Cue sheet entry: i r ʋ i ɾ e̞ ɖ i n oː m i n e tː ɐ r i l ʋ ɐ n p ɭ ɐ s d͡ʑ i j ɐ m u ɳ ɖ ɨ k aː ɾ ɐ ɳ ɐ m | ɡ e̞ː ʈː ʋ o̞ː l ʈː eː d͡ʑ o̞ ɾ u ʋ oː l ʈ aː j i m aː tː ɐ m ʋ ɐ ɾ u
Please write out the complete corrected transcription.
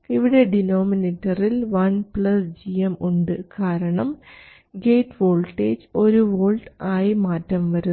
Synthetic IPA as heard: i ʋ i ɽ e̞ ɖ i n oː m i n e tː ɐ r i l ʋ ɐ n p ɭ ɐ s d͡ʑ i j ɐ m u ɳ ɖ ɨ k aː ɾ ɐ ɳ ɐ m | ɡ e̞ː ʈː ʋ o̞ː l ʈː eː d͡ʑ o̞ ɾ u ʋ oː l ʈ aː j i m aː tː ɐ m ʋ ɐ ɾ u

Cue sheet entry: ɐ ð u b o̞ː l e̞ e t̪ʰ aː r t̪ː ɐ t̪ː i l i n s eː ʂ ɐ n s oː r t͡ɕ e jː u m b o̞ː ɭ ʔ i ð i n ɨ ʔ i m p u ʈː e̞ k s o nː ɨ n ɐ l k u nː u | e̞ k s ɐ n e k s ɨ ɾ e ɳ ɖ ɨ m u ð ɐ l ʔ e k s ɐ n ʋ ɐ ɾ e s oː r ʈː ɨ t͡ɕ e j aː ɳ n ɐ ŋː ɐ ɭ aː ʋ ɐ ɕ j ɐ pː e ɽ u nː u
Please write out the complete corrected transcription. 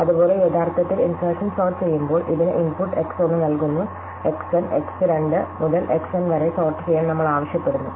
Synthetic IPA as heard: ɐ ð u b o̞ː l e̞ e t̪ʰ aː r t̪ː ɐ t̪ː i l i n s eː ʂ ɐ n s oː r t͡ɕ e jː u m b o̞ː ɭ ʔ i ð i n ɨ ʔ i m p u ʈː e̞ k s o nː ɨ n ɐ l k u nː u | e̞ k s ɐ n e k s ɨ ɾ e ɳ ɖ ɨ m u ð ɐ l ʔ e k s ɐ n ʋ ɐ ɾ e s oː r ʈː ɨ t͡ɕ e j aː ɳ n ɐ mː ɐ ɭ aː ʋ ɐ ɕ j ɐ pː e ɽ u nː u

